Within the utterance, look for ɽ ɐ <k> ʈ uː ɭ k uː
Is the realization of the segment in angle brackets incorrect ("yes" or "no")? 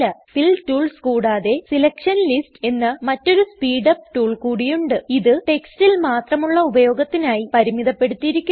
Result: yes